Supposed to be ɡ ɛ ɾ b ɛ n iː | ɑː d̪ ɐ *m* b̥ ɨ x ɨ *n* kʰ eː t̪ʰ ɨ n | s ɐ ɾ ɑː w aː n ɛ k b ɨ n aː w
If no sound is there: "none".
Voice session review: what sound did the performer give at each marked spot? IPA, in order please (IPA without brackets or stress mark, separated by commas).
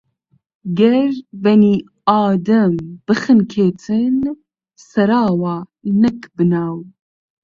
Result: m, n